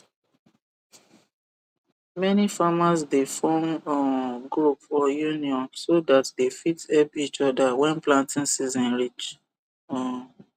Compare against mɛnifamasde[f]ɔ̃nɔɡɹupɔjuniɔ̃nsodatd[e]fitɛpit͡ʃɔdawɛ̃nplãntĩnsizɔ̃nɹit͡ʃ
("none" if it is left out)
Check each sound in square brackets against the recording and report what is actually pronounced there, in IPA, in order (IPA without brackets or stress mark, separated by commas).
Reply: f, e